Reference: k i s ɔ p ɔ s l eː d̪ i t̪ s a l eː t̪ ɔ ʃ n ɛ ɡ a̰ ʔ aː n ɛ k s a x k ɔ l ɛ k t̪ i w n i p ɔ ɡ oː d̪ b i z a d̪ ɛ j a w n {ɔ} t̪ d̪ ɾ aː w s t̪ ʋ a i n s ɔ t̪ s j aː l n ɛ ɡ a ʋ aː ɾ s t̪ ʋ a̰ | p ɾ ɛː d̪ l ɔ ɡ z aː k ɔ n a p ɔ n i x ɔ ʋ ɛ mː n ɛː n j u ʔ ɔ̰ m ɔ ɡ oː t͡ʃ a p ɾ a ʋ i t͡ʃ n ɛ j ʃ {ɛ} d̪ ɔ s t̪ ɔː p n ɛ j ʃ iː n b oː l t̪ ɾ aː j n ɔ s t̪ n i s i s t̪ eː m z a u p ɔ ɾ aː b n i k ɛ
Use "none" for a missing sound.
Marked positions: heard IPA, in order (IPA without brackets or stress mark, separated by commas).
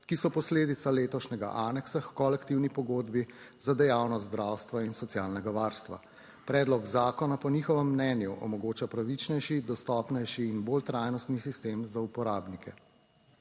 ɔ, i